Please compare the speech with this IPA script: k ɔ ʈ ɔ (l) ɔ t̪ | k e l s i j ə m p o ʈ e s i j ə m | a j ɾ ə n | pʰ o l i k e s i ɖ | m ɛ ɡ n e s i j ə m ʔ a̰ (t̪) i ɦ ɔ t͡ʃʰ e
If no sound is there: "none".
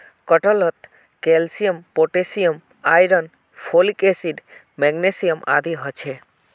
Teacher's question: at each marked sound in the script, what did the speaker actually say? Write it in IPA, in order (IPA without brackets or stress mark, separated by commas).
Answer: l, d̪